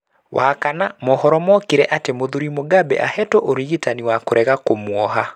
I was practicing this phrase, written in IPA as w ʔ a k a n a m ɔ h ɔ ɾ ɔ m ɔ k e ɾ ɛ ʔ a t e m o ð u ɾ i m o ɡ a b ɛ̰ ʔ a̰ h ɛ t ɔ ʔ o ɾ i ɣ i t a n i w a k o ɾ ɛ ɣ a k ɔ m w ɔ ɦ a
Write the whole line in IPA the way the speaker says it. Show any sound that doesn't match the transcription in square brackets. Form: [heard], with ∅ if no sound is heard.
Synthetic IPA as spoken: w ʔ a k a n a m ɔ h ɔ ɾ ɔ m ɔ k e ɾ ɛ ʔ a t e m o ð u ɾ i m o ɡ a b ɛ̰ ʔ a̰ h ɛ t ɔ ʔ o ɾ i ɣ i t a n i w a k o ɾ ɛ ɣ a k [o] m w ɔ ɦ a